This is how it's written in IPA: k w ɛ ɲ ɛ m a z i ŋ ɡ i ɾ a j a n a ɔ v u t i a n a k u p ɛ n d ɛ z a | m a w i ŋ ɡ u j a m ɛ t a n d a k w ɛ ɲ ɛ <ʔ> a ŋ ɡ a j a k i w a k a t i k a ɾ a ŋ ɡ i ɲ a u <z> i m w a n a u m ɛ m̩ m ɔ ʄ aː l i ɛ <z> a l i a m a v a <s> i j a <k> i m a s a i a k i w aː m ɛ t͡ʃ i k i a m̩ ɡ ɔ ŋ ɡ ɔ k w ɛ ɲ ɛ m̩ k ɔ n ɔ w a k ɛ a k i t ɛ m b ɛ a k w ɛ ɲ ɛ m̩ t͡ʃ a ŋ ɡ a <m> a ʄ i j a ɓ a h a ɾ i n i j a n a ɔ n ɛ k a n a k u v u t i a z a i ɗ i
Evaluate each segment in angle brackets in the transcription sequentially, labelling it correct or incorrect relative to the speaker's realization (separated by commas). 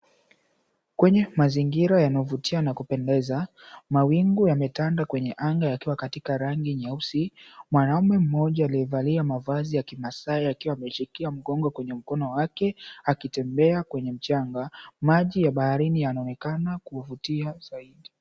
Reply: correct, incorrect, incorrect, incorrect, correct, correct